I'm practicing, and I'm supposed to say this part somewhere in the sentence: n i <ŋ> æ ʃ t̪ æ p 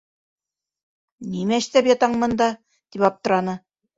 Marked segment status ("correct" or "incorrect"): incorrect